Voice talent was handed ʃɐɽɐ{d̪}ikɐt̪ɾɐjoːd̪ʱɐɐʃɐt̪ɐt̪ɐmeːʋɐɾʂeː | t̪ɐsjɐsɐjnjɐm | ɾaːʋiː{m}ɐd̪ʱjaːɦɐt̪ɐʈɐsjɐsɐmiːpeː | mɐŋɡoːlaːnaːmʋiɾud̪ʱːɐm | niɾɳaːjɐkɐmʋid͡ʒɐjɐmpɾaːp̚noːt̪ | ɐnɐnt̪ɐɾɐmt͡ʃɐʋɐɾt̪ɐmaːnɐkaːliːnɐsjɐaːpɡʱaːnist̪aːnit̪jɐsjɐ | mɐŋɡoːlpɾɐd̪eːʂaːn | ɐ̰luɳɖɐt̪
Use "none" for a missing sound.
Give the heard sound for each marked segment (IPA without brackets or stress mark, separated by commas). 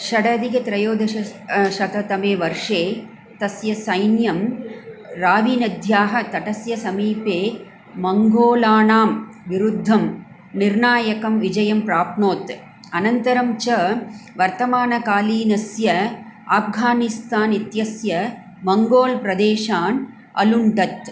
d̪, n